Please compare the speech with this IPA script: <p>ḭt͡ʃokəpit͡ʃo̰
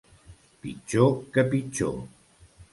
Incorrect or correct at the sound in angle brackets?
correct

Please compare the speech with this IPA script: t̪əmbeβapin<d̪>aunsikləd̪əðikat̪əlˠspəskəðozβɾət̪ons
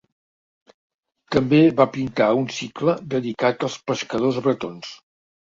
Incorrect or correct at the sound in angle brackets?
incorrect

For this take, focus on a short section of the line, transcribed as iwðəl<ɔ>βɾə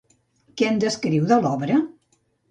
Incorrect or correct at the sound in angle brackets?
correct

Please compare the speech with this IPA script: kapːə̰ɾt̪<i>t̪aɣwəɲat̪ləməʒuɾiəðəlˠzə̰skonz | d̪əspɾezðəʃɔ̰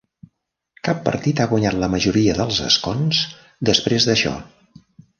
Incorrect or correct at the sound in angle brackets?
correct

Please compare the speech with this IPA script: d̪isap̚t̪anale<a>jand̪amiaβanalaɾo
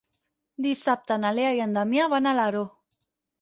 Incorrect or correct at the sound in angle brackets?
correct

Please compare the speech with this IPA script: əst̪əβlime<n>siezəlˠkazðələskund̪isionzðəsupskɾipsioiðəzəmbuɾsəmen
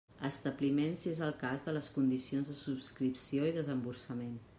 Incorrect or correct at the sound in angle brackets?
correct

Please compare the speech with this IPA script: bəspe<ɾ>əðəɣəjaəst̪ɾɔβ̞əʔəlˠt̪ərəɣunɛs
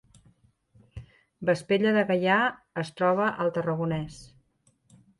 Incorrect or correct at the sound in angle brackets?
incorrect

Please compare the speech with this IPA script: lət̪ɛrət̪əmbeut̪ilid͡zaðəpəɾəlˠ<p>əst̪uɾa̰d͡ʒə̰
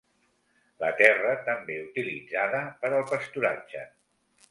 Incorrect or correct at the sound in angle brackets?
correct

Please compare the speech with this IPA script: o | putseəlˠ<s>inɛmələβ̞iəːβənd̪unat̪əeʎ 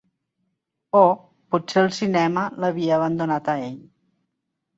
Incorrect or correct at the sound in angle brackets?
correct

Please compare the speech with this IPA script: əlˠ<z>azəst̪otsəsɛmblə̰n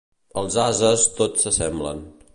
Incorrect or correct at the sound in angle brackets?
correct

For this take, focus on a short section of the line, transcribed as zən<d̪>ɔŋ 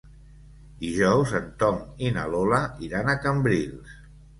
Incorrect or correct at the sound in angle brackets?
incorrect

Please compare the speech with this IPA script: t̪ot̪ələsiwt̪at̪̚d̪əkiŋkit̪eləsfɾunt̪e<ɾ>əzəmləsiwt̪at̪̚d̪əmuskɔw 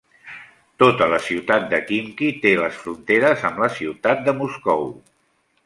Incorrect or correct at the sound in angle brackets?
correct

